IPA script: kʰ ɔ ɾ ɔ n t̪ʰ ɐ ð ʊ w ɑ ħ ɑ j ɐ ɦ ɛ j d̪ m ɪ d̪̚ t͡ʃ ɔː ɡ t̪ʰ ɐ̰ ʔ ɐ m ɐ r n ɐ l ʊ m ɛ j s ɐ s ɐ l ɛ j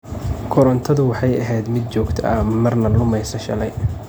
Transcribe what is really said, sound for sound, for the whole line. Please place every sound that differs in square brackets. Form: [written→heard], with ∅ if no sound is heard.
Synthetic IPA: kʰ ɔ ɾ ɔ n t̪ʰ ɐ ð ʊ w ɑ ħ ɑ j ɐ ɦ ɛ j d̪ m ɪ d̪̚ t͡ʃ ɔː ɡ t̪ʰ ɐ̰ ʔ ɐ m ɐ r n ɐ l ʊ m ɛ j s ɐ [s→ʃ] ɐ l ɛ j